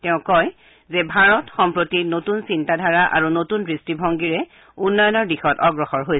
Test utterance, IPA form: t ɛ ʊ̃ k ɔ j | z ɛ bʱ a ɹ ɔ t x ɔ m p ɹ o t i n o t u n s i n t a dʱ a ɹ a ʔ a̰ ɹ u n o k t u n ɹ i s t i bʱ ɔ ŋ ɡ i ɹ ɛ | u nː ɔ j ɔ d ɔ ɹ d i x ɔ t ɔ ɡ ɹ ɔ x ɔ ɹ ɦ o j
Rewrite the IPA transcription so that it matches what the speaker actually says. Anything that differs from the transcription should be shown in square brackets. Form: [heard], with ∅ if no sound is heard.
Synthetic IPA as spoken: t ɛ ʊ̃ k ɔ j | z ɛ bʱ a ɹ ɔ t x ɔ m p ɹ o t i n o t u n s i n t a dʱ a ɹ a ʔ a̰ ɹ u n o [∅] t u n ɹ i s t i bʱ ɔ ŋ ɡ i ɹ ɛ | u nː ɔ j ɔ [n] ɔ ɹ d i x ɔ t ɔ ɡ ɹ ɔ x ɔ ɹ ɦ o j

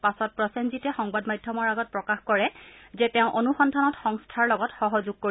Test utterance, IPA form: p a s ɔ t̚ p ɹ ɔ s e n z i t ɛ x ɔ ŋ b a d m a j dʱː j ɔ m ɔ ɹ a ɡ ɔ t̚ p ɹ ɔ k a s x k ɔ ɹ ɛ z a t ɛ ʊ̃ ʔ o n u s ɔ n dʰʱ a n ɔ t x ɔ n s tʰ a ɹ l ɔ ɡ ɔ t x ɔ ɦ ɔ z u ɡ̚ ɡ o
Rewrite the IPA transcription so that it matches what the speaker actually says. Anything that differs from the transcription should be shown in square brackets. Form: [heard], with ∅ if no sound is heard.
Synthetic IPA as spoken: p a s ɔ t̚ p ɹ ɔ s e n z i t ɛ x ɔ ŋ b a d m a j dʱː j ɔ m ɔ ɹ a ɡ ɔ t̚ p ɹ ɔ k a [∅] x k ɔ ɹ ɛ z [ɛ] t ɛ ʊ̃ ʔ o n u [x] ɔ n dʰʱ a n ɔ t x ɔ [ŋ] s tʰ a ɹ l ɔ ɡ ɔ t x ɔ ɦ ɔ z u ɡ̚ [k] o

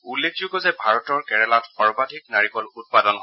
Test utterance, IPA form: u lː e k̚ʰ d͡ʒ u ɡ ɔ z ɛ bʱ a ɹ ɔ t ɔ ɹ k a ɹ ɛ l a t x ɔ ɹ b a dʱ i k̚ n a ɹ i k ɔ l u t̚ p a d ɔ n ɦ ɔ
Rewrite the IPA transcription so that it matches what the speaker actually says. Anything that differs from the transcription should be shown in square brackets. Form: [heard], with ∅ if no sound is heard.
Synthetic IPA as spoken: u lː e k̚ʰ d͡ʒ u ɡ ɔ z ɛ bʱ a ɹ ɔ t ɔ ɹ k [ɛ] ɹ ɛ l a t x ɔ ɹ b a dʱ i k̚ n a ɹ i k ɔ l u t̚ p a d ɔ n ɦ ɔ

